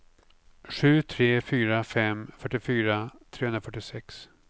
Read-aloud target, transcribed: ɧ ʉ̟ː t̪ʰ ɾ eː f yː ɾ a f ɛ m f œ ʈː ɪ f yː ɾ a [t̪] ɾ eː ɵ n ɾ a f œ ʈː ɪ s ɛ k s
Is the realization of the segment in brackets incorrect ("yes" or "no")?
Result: yes